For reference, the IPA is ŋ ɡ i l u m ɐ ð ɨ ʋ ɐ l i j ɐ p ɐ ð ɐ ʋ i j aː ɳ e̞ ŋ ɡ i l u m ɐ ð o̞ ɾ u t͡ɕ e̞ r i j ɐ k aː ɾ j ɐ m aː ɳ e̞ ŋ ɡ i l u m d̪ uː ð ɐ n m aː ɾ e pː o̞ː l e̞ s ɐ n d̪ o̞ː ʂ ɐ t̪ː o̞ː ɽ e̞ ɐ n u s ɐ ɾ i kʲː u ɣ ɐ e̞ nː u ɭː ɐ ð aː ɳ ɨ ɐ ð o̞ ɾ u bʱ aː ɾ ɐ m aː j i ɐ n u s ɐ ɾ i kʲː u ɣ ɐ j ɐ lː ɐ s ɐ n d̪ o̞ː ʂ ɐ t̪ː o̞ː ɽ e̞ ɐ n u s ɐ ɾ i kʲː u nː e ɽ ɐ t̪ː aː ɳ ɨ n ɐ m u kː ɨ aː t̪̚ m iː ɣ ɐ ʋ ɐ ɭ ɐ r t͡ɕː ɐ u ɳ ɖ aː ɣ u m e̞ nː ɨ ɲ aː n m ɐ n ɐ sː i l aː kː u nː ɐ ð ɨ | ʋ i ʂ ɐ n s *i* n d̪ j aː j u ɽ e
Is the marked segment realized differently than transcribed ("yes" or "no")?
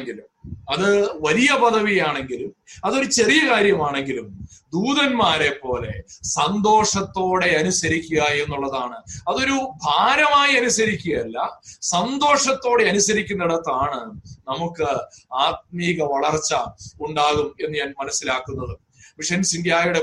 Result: no